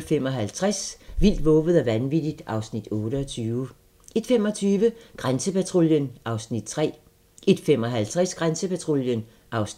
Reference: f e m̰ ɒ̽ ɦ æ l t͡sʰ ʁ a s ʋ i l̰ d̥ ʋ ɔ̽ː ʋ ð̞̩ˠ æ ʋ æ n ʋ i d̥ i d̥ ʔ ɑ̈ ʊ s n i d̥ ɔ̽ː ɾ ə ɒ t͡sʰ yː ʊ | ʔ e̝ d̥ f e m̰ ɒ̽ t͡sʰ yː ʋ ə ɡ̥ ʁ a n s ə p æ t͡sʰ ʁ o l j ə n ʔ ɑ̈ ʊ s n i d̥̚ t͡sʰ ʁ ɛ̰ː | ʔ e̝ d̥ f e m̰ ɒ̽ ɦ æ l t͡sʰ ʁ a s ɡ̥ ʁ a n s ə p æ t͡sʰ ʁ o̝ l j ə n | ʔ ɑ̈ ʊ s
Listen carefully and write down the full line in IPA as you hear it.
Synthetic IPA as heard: f e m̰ ɒ̽ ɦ æ l t͡sʰ ʁ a s ʋ i l̰ d̥ ʋ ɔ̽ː ʋ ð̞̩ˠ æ ʋ æ n ʋ i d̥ i d̥ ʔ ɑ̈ ʊ s n i d̥ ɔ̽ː ɾ ə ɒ t͡sʰ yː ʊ | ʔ e̝ d̥ f e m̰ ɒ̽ t͡sʰ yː ʋ ə ɡ̥ ʁ a n s ə p æ t͡sʰ ʁ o l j ə n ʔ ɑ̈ ʊ s n i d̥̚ t͡sʰ ʁ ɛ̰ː | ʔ e̝ d̥ f e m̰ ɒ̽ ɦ æ l t͡sʰ ʁ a s ɡ̥ ʁ a n s ə p æ t͡sʰ ʁ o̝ l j ə n | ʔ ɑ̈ ʊ s